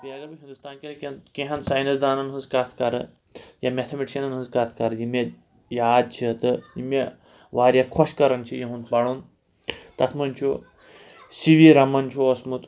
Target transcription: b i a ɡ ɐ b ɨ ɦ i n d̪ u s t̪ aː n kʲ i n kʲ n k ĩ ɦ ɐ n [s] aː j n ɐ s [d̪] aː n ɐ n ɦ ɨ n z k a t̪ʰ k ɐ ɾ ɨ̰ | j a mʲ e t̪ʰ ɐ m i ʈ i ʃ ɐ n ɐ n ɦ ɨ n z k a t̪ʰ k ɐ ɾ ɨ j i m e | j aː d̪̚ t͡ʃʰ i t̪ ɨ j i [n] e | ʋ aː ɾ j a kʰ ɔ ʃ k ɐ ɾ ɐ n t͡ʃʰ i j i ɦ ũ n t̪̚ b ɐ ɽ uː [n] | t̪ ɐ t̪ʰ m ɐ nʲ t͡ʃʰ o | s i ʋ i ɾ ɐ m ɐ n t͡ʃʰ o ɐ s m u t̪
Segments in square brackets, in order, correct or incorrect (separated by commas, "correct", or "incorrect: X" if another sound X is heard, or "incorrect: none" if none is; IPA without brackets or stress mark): correct, correct, incorrect: m, correct